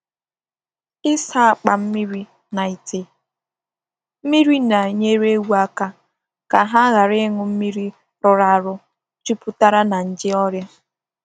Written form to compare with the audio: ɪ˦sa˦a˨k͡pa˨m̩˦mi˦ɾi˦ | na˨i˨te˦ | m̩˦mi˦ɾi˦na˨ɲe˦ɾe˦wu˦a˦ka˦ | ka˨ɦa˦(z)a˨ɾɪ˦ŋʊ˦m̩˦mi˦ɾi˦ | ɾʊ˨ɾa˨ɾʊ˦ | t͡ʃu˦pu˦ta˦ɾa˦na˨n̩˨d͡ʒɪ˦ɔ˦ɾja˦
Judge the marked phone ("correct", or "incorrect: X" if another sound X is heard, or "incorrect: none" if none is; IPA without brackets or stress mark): incorrect: ɣ